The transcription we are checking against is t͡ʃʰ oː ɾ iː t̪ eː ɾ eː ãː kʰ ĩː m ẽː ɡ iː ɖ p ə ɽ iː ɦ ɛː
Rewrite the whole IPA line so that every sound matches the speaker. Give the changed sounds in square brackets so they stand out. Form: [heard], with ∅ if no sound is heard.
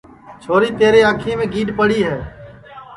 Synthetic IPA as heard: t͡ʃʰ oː ɾ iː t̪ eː ɾ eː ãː kʰ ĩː m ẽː ɡ iː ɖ p ə ɽ iː ɦ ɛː